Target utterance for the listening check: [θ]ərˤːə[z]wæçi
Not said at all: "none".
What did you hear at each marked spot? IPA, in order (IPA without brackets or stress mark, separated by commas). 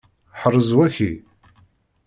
ħ, z